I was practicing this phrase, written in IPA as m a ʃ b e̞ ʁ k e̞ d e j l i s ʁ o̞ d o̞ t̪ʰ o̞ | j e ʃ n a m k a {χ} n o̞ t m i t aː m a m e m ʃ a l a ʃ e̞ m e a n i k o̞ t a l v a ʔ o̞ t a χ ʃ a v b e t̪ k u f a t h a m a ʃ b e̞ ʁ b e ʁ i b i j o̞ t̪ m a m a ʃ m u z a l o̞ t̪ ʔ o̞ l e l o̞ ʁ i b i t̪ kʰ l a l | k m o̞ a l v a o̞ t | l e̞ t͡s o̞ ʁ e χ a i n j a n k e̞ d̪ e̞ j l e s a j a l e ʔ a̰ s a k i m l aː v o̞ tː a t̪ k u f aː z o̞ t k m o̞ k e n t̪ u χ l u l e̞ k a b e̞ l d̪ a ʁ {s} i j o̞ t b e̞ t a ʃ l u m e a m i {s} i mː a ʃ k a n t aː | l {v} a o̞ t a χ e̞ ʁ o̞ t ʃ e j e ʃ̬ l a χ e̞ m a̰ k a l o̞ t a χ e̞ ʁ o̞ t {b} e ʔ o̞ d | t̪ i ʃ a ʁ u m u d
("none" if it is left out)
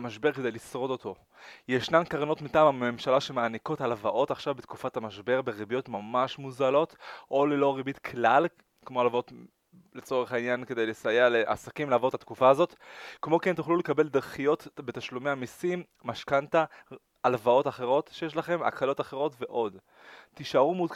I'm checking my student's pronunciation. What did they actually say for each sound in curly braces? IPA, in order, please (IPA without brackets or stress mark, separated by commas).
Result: ʁ, χ, s, v, v